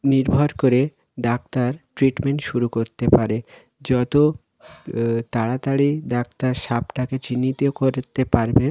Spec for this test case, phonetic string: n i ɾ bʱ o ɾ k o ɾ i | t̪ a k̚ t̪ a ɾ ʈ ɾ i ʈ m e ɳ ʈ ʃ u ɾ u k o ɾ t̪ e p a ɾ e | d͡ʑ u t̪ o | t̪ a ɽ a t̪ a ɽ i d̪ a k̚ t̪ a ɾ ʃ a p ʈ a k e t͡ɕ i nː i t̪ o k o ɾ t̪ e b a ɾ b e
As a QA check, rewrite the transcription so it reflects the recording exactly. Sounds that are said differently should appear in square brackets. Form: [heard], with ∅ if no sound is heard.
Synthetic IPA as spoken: n i ɾ bʱ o ɾ k o ɾ [e] | [d̪] a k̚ t̪ a ɾ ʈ ɾ i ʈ m e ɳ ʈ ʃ u ɾ u k o ɾ t̪ e p a ɾ e | d͡ʑ [ɔ] t̪ o | t̪ a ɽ a t̪ a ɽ i d̪ a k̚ t̪ a ɾ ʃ a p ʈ a k e t͡ɕ i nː i t̪ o k o ɾ t̪ e [p] a ɾ b e